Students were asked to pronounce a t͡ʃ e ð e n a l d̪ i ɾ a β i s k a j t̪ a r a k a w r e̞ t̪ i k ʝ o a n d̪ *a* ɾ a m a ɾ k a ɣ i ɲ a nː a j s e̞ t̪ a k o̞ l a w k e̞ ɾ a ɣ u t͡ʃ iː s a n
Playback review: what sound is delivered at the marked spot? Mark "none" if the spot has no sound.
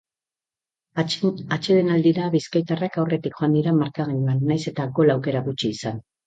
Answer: i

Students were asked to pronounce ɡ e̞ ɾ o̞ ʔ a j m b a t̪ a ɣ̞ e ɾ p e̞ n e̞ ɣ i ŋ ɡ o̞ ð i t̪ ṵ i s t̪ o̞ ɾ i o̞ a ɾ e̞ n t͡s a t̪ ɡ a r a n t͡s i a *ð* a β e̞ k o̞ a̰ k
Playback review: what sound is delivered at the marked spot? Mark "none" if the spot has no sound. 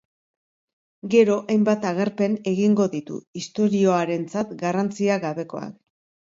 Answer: ɣ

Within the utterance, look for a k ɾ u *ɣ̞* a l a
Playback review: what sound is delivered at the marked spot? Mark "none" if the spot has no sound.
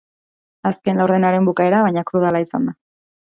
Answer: ð̞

